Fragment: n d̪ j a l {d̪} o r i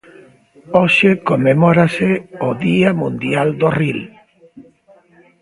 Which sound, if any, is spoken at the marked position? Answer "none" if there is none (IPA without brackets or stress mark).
d̪